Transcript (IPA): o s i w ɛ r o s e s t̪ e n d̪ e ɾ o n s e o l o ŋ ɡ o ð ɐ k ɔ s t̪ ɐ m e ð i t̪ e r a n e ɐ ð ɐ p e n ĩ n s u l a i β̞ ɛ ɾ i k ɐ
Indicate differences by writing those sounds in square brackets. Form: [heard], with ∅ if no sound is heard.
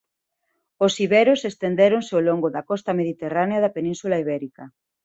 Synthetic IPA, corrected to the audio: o s i [β] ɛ [ɾ] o s e s t̪ e n d̪ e ɾ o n s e o l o ŋ ɡ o ð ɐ k ɔ s t̪ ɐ m e ð i t̪ e r a n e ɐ ð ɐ p e n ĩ n s u l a i β̞ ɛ ɾ i k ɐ